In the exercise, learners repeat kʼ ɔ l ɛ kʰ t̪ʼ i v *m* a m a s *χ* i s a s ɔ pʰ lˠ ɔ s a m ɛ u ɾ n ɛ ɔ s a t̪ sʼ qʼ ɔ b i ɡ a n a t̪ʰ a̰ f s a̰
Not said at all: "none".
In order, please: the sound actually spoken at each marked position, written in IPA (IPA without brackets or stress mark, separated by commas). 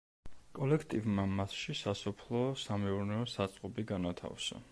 m, ʃ